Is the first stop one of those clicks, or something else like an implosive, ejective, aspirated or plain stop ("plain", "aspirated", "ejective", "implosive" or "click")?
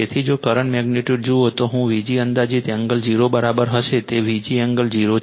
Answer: aspirated